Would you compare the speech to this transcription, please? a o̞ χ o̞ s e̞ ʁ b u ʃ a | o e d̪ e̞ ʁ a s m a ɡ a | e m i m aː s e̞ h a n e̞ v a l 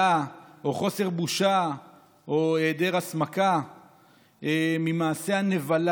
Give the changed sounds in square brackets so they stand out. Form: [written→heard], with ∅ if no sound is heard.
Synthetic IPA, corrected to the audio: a o̞ χ o̞ s e̞ ʁ b u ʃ a | o e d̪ e̞ ʁ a s m a [ɡ→k] a | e m i m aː s e̞ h a n e̞ v a l